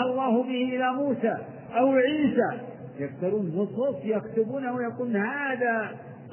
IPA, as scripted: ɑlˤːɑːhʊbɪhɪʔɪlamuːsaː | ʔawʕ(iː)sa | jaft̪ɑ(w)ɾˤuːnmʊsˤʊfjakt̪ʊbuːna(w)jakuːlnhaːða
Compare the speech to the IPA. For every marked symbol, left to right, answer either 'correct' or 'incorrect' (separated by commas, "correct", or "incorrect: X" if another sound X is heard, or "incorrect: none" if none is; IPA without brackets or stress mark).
correct, incorrect: none, correct